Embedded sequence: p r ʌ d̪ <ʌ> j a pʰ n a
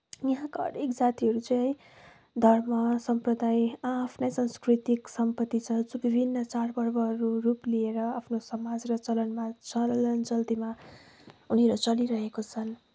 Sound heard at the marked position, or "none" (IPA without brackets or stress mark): a